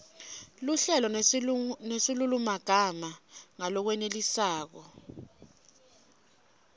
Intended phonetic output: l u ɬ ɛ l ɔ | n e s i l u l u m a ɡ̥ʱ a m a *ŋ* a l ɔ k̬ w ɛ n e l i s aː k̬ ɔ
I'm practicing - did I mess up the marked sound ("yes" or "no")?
no